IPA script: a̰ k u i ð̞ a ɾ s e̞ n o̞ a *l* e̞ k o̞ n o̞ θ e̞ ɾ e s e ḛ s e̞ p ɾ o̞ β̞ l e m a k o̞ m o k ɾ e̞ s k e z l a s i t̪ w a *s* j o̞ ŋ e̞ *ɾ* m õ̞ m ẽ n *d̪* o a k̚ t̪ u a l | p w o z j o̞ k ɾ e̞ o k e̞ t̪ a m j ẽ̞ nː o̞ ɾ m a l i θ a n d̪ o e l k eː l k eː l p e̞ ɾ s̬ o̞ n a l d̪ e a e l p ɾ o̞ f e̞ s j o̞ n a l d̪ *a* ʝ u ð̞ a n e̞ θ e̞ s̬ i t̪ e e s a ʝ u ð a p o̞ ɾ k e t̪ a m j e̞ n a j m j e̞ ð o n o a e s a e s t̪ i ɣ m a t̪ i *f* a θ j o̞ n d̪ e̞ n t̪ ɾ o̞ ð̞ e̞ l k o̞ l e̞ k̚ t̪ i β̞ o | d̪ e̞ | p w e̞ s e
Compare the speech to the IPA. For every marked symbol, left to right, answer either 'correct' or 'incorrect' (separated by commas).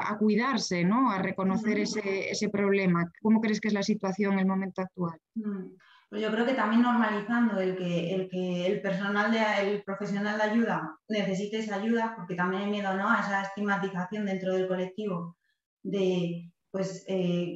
incorrect, incorrect, incorrect, incorrect, correct, incorrect